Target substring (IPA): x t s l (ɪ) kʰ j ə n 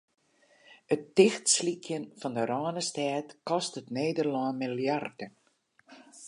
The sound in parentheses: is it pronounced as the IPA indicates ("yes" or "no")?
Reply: no